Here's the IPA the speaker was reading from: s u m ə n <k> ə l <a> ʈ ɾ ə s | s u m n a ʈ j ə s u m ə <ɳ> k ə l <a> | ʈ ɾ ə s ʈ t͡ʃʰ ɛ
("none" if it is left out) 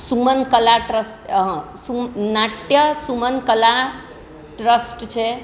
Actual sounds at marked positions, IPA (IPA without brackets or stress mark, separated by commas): k, a, n, a